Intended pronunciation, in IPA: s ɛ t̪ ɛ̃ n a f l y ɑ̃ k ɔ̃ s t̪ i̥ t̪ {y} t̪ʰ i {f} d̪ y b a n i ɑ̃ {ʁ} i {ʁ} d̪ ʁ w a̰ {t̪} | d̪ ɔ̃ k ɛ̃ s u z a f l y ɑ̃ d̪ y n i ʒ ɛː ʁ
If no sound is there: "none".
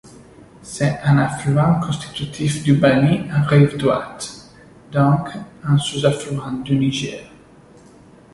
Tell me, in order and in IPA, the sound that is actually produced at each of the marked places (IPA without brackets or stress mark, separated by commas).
y, f, ʁ, v, t̪